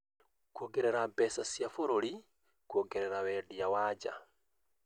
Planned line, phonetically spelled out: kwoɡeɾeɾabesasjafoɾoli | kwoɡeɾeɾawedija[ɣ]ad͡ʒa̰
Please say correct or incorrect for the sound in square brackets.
incorrect